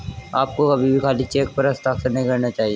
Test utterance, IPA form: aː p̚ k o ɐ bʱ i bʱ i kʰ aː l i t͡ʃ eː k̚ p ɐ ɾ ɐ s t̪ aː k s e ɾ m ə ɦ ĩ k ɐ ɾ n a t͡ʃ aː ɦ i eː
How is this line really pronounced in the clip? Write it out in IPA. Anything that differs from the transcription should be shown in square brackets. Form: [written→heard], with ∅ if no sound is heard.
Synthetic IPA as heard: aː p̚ k o ɐ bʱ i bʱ i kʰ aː l i t͡ʃ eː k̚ p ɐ ɾ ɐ s t̪ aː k s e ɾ [m→n] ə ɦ ĩ k ɐ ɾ n a t͡ʃ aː ɦ i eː